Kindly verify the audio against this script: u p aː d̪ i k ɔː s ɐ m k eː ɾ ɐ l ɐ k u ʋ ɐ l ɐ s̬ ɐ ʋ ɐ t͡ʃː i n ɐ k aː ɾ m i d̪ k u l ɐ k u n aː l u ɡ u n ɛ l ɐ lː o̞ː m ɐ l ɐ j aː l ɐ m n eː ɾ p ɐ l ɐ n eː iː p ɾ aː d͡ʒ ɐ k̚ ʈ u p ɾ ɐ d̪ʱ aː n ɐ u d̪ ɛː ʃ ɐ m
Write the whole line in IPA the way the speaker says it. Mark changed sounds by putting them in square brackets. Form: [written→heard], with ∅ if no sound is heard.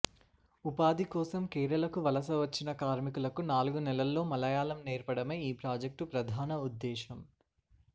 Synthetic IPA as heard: u p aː d̪ i k ɔː s ɐ m k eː ɾ ɐ l ɐ k u ʋ ɐ l ɐ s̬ ɐ ʋ ɐ t͡ʃː i n ɐ k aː ɾ m i [d̪→∅] k u l ɐ k u n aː l u ɡ u n ɛ l ɐ lː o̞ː m ɐ l ɐ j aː l ɐ m n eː ɾ p ɐ [l→ɽ] ɐ [n→m] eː iː p ɾ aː d͡ʒ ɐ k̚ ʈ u p ɾ ɐ d̪ʱ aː n ɐ u [d̪→d̪ː] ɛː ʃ ɐ m